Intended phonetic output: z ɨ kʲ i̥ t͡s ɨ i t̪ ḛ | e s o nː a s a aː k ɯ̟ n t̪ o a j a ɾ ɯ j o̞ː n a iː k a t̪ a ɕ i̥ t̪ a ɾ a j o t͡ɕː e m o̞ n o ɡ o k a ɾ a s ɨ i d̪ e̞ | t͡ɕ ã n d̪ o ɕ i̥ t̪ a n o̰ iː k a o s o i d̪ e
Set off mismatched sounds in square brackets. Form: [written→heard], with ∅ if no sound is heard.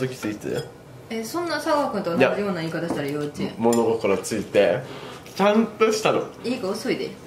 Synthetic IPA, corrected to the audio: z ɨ kʲ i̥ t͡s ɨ i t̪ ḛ | e s [o→õ] nː a s a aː k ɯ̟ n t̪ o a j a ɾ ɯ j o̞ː n a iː k a t̪ a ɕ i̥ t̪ a ɾ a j o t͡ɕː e m o̞ n o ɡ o k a ɾ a [s→t͡s] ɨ i [d̪→t̪] e̞ | t͡ɕ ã n [d̪→t̪] o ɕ i̥ t̪ a n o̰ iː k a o s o i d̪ e